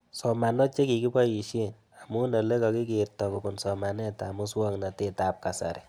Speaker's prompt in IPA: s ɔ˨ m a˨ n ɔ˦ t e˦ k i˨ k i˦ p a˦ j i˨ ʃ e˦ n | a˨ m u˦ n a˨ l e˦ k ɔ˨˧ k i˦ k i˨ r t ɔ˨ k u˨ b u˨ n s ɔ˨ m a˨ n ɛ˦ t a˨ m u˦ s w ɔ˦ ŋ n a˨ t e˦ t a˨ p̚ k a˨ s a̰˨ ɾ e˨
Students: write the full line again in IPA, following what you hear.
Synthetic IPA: s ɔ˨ m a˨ n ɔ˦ t͡ʃ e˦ k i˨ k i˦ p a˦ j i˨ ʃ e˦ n | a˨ m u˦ n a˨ l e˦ k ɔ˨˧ k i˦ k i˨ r t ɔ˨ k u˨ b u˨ n s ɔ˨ m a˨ n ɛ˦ t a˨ m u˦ s w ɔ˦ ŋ n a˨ t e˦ t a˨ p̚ k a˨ s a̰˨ ɾ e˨